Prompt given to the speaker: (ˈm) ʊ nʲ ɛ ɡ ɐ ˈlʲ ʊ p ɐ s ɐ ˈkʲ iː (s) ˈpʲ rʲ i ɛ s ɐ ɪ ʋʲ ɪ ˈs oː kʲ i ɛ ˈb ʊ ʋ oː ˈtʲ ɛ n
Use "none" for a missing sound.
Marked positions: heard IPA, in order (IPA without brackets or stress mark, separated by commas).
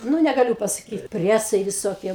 n, t